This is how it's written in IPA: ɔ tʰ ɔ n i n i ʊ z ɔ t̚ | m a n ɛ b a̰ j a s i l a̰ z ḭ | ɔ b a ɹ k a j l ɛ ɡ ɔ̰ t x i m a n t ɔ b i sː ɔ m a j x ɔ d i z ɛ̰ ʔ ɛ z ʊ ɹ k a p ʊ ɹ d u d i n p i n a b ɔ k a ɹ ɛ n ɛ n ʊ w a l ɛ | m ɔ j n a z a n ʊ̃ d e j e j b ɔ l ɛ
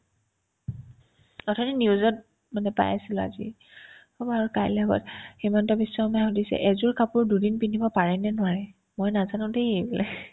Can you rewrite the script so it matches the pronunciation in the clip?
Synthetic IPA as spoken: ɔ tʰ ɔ n i n i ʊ z ɔ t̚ | m a n ɛ p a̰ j a s i l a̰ z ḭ | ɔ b a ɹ k a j l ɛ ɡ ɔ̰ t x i m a n t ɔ b i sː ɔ m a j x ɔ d i s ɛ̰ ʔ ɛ z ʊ ɹ k a p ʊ ɹ d u d i n p i n i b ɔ p a ɹ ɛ n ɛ n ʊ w a ɹ ɛ | m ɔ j n a z a n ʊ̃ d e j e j b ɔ l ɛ